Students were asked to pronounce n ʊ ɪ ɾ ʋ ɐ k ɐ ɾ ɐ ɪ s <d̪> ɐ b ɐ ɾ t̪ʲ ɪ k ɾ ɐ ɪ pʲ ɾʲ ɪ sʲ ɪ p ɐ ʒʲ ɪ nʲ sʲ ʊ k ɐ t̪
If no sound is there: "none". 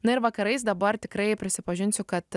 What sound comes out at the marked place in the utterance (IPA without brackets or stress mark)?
d̪